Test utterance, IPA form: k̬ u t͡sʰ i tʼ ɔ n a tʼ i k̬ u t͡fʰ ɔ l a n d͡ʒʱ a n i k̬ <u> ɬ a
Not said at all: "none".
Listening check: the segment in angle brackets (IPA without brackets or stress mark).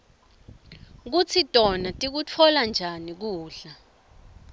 uː